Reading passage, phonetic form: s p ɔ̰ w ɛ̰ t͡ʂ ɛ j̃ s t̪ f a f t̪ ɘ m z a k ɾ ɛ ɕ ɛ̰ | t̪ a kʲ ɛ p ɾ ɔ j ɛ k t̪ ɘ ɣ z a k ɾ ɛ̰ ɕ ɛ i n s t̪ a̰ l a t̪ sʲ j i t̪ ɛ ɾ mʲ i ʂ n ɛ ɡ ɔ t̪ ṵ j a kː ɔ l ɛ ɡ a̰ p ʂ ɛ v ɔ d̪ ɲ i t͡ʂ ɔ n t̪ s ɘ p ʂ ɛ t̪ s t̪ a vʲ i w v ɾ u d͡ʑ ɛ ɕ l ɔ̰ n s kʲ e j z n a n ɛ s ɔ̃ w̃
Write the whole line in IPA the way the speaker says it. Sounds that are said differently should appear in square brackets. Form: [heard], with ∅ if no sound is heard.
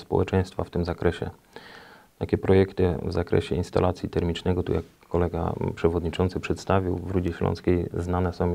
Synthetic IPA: s p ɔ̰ w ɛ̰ t͡ʂ ɛ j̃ s t̪ f a f t̪ ɘ m z a k ɾ ɛ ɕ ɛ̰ | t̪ a kʲ ɛ p ɾ ɔ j ɛ k t̪ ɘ [v] z a k ɾ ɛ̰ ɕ ɛ i n s t̪ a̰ l a t̪ sʲ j i t̪ ɛ ɾ mʲ i [t͡ʂ] n ɛ ɡ ɔ t̪ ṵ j a kː ɔ l ɛ ɡ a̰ p ʂ ɛ v ɔ d̪ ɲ i t͡ʂ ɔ n t̪ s ɘ p ʂ ɛ t̪ s t̪ a vʲ i w v ɾ u d͡ʑ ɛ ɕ l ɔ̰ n s kʲ e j z n a n ɛ s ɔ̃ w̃